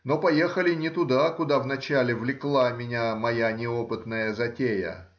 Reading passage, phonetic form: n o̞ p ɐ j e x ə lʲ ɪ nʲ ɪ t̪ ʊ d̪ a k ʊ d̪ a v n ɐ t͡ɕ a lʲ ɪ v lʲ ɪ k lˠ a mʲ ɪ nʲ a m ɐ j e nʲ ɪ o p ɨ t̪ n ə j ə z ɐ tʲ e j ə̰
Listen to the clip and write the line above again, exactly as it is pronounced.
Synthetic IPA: n o̞ p ɐ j e x ə lʲ ɪ nʲ ɪ t̪ ʊ d̪ a k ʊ d̪ a v n ɐ t͡ɕ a lʲ ɪ v lʲ ɪ k lˠ a mʲ ɪ nʲ a m ɐ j a nʲ ɪ o p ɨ t̪ n ə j ə z ɐ tʲ e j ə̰